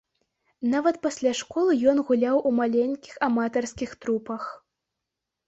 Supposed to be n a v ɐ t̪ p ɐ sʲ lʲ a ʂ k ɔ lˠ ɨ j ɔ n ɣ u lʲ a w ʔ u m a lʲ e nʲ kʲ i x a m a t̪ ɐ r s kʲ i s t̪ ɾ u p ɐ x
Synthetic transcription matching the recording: n a v ɐ t̪ p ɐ sʲ lʲ a ʂ k ɔ lˠ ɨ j ɔ n ɣ u lʲ a w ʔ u m a lʲ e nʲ kʲ i x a m a t̪ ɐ r s kʲ i x t̪ ɾ u p ɐ x